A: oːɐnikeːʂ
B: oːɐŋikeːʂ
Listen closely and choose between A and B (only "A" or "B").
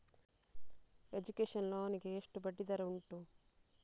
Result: A